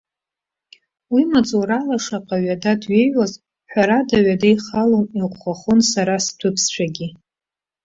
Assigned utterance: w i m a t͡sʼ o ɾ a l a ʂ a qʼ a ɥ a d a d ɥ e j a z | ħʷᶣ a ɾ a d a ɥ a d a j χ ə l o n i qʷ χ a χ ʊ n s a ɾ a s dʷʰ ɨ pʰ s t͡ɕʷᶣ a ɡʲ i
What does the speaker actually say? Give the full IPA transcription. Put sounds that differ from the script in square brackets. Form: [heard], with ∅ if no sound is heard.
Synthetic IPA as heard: w i m a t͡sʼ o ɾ a l a ʂ a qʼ a ɥ a d a d ɥ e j a z | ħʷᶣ a ɾ a d a ɥ a d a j χ [a] l o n i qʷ χ a χ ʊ n s a ɾ a s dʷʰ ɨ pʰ s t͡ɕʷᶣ a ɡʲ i

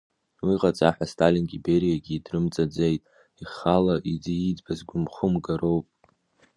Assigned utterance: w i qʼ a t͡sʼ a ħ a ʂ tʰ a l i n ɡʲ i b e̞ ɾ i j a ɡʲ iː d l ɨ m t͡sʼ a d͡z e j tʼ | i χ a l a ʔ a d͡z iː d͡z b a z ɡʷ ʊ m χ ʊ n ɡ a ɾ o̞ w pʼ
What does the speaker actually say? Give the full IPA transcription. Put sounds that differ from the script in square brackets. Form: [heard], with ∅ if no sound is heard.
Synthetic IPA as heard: w i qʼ a t͡sʼ a ħ a [s] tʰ a l i n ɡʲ i b e̞ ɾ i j a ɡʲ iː d [r] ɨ m t͡sʼ a d͡z e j tʼ | i χ a l a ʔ [i] d͡z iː d͡z b a z ɡʷ ʊ m χ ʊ [m] ɡ a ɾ o̞ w pʼ

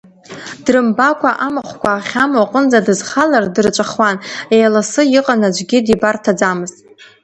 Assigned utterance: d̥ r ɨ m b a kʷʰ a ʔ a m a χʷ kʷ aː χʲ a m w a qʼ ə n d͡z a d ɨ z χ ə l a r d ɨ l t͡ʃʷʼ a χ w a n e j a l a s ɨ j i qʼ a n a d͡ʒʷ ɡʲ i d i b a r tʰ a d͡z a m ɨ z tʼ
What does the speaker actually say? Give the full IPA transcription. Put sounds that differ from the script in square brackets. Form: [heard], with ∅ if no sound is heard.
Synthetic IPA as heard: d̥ r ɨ m b a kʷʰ a ʔ a m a χʷ kʷ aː χʲ a m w a qʼ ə n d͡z a d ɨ z χ [a] l a r d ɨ [r] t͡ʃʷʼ a χ w a n e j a l a s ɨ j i qʼ a n a d͡ʒʷ ɡʲ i d i b a r tʰ a d͡z a m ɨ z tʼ

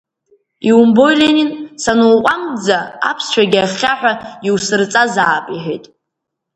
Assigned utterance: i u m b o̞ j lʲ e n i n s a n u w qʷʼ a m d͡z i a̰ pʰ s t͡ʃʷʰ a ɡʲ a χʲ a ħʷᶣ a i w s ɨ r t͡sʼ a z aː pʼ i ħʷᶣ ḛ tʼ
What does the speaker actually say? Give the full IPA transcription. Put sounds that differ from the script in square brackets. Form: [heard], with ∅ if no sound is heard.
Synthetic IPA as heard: i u m b o̞ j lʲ e n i n s a n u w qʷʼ a m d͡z [a] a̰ pʰ s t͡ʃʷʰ a ɡʲ a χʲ a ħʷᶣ a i w s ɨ r t͡sʼ a z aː pʼ i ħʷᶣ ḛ tʼ

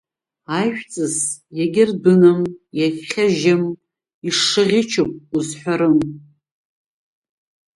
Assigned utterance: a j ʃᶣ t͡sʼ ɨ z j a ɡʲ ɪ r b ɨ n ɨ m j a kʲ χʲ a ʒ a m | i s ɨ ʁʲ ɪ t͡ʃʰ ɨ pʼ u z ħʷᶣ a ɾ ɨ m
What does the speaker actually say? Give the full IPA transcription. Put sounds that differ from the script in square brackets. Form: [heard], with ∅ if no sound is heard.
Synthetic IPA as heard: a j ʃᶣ t͡sʼ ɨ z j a ɡʲ ɪ r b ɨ n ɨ m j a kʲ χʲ a ʒ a m | i [ʂ] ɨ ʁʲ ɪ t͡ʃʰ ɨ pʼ u z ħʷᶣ a ɾ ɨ m

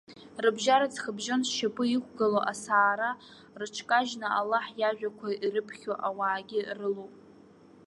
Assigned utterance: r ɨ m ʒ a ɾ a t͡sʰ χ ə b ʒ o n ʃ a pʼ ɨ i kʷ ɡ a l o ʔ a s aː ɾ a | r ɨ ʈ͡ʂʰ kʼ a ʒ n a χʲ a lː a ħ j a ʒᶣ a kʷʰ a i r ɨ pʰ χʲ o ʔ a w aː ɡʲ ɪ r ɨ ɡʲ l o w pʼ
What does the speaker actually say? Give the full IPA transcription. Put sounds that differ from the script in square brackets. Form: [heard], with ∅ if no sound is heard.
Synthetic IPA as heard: r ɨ [b] ʒ a ɾ a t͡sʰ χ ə b ʒ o n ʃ a pʼ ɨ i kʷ ɡ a l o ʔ a s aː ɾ a | r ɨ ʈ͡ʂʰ kʼ a ʒ n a [∅] a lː a ħ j a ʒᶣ a kʷʰ a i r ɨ pʰ χʲ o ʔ a w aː ɡʲ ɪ r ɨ [∅] l o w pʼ

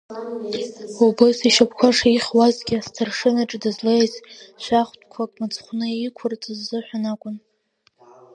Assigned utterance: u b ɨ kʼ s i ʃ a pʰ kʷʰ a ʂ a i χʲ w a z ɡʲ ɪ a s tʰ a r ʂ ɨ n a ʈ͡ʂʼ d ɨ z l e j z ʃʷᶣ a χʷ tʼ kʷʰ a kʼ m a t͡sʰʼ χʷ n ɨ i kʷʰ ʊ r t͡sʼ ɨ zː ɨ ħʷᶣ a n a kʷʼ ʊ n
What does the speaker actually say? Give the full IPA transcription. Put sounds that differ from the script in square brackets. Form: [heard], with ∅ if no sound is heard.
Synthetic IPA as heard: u b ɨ [∅] s i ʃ a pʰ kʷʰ a ʂ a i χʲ w a z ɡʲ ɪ a s tʰ a r ʂ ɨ n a ʈ͡ʂʼ d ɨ z l e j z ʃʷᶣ a χʷ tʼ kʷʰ a kʼ m a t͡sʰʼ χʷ n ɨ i kʷʰ ʊ r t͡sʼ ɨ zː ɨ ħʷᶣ a n a kʷʼ ʊ n

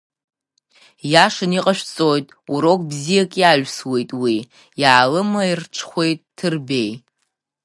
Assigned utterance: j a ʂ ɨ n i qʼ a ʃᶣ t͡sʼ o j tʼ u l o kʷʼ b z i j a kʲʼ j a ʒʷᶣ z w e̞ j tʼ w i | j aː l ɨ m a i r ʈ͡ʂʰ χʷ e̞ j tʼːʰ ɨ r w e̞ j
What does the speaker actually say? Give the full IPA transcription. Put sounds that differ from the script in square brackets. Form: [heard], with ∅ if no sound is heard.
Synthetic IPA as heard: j a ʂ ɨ n i qʼ a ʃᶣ t͡sʼ o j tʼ u [ɾ] o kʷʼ b z i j a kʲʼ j a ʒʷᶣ [s] w e̞ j tʼ w i | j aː l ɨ m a i r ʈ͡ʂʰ χʷ e̞ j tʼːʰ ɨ r [b] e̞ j

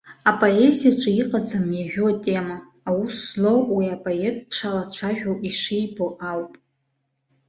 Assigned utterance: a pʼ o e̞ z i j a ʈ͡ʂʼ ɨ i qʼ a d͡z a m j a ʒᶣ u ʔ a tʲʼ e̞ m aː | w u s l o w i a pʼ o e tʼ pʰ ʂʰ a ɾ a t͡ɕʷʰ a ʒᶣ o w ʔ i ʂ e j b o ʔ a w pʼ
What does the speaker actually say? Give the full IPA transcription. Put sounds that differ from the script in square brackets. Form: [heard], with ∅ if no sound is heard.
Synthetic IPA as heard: a pʼ o e̞ z i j a ʈ͡ʂʼ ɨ i qʼ a d͡z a m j a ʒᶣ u [∅] a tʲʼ e̞ m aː | w u s l o w i a pʼ o e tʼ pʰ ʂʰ a [l] a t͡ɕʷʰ a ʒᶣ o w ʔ i ʂ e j b o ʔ a w pʼ

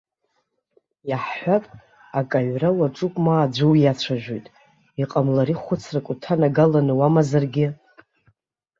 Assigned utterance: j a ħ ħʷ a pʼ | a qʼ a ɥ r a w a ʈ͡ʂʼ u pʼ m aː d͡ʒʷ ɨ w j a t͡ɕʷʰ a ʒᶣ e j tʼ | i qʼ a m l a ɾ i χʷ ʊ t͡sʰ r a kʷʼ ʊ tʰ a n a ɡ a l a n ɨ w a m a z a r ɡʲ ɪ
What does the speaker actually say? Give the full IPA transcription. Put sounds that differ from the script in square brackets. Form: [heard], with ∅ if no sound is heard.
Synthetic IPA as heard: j a ħ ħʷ a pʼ | a [kʼ] a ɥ r a w a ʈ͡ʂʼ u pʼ m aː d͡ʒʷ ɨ w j a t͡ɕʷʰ a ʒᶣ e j tʼ | i qʼ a m l a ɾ i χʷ ʊ t͡sʰ r a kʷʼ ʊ tʰ a n a ɡ a l a n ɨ w a m a z a r ɡʲ ɪ

